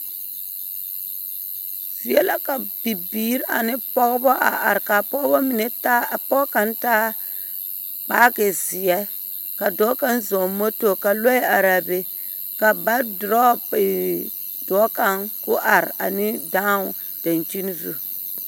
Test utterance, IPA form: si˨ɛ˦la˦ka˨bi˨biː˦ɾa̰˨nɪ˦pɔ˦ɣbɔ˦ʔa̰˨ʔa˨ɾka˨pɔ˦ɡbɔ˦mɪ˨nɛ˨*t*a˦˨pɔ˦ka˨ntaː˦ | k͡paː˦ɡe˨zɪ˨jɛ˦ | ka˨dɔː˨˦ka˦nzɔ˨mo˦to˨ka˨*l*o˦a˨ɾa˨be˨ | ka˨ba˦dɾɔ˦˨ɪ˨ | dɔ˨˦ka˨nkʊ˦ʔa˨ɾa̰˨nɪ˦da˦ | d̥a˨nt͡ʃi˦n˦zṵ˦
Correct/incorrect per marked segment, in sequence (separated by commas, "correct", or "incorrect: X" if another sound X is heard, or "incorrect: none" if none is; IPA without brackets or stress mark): correct, correct